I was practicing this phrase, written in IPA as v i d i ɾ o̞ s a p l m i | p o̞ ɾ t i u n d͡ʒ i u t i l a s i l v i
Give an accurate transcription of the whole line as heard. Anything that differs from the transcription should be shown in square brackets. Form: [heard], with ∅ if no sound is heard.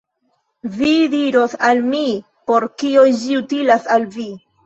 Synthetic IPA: v i d i ɾ o̞ s a [∅] l m i | p o̞ ɾ [k] i [o] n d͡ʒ i u t i l a s [a] l v i